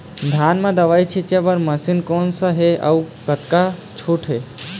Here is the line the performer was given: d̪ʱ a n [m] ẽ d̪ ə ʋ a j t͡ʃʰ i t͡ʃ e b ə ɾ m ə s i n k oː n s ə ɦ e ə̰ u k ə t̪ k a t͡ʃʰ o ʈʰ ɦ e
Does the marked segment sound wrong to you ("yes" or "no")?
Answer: no